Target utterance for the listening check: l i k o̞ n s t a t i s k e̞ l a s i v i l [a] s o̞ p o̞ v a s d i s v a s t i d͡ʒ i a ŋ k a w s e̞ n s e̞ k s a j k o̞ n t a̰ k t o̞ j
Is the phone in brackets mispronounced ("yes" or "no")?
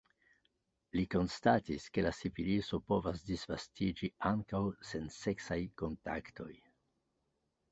yes